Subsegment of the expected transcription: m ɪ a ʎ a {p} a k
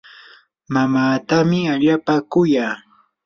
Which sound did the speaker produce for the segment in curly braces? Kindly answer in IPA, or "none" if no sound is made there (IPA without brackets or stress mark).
p